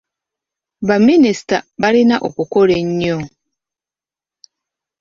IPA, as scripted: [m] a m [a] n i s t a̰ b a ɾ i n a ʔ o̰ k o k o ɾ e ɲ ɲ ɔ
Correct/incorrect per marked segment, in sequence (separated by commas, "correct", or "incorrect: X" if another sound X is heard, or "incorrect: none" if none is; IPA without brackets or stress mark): incorrect: b, incorrect: i